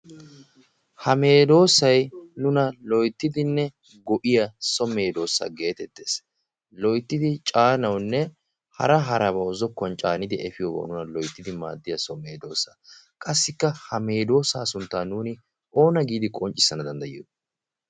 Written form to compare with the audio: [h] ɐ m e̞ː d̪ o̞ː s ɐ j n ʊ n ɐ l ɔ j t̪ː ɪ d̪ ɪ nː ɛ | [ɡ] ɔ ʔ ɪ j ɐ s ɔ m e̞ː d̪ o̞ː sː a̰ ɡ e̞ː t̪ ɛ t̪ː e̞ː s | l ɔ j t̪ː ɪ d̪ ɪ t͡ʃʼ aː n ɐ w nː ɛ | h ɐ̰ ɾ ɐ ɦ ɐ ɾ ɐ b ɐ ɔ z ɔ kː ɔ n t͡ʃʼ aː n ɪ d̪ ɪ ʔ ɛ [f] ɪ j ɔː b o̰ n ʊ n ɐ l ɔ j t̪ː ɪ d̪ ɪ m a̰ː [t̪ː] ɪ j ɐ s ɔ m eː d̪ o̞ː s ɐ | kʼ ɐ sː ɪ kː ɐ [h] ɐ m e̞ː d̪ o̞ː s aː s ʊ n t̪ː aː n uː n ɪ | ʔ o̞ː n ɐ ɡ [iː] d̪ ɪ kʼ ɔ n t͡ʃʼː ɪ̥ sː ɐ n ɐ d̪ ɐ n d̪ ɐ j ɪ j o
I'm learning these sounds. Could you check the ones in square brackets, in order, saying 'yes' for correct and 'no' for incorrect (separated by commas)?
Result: yes, yes, yes, no, yes, yes